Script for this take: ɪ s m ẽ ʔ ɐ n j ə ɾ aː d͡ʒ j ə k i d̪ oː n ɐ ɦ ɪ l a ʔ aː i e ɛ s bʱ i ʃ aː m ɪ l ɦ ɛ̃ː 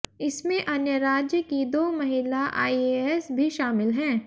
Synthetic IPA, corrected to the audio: ɪ s m ẽ ʔ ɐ n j ə ɾ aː d͡ʒ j ə k i d̪ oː m ɐ ɦ ɪ l a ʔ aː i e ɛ s bʱ i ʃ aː m ɪ l ɦ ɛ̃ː